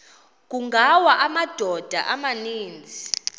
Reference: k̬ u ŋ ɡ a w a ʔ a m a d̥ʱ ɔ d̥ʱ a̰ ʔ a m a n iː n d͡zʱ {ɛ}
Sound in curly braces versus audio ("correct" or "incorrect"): incorrect